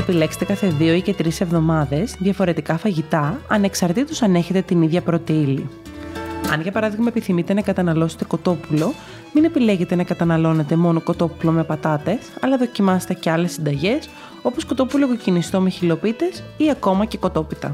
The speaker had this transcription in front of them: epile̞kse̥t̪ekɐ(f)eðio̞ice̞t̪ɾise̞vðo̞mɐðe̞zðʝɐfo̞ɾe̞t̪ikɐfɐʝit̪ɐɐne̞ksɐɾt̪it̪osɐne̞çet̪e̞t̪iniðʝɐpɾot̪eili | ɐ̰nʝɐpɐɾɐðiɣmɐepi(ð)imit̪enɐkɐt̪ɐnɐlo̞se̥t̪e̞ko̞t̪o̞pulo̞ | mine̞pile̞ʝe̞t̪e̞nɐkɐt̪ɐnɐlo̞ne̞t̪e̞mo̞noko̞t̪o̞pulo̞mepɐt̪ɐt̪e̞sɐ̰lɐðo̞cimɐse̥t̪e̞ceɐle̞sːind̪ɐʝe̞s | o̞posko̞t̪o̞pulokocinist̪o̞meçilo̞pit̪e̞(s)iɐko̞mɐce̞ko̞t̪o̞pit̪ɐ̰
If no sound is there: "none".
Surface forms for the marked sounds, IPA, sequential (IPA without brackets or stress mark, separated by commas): θ, θ, s